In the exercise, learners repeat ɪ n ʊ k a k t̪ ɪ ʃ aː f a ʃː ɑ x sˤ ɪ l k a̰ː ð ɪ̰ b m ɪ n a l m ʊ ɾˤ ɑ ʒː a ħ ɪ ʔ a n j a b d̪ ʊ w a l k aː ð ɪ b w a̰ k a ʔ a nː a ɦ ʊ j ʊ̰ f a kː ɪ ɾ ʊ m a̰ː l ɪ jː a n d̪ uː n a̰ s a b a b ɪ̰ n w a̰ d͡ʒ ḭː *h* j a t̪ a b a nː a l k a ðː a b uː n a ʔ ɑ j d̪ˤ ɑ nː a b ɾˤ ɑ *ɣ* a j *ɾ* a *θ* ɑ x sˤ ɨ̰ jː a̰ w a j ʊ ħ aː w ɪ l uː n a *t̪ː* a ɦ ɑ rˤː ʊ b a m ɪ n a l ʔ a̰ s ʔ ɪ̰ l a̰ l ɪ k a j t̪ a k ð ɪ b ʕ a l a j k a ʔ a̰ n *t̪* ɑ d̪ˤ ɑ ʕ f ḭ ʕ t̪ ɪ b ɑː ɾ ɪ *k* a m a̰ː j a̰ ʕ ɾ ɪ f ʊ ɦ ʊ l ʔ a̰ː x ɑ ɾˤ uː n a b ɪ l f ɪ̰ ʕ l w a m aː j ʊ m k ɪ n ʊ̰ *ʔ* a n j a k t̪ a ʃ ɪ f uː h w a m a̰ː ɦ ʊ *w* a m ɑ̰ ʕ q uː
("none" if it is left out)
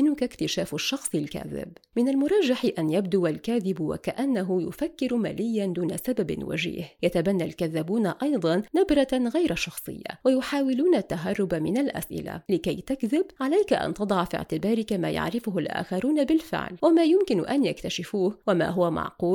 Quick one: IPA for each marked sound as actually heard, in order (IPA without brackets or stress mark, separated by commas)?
h, ɣ, ɾ, ʃ, t̪ː, t̪, k, ʔ, w